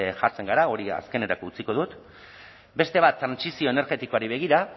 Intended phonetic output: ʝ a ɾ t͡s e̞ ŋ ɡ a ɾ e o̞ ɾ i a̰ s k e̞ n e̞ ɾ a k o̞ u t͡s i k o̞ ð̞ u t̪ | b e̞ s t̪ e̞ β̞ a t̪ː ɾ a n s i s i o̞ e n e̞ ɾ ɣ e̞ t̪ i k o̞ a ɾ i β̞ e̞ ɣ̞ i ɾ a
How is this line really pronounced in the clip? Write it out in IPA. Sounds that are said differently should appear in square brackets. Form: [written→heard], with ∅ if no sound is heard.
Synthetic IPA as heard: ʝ a ɾ t͡s e̞ ŋ ɡ a ɾ [e→a] o̞ ɾ i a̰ s k e̞ n e̞ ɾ a k o̞ u t͡s i k o̞ ð̞ u t̪ | b e̞ s t̪ e̞ β̞ a t̪ː ɾ a n s i s i o̞ e n e̞ ɾ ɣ e̞ t̪ i k o̞ a ɾ i β̞ e̞ ɣ̞ i ɾ a